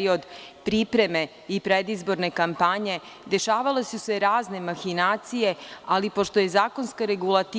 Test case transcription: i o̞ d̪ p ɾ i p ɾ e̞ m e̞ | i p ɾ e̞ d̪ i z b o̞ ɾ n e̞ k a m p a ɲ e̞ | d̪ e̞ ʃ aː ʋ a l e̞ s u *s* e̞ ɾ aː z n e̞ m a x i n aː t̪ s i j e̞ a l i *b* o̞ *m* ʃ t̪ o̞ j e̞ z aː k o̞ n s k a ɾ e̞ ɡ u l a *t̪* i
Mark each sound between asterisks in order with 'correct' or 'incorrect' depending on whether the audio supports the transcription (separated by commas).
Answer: correct, incorrect, incorrect, correct